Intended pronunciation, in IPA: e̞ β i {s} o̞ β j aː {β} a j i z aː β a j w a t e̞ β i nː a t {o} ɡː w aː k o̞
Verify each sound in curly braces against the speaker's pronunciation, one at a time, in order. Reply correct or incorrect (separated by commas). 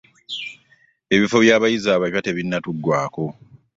incorrect, correct, incorrect